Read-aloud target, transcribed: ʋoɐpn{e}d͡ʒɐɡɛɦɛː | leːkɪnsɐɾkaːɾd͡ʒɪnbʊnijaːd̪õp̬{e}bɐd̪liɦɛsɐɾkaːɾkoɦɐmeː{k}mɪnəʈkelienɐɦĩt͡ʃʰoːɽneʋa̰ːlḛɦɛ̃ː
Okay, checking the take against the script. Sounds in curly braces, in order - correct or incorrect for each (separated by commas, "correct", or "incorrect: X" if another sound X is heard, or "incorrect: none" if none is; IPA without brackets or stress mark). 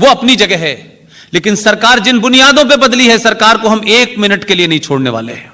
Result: incorrect: i, correct, correct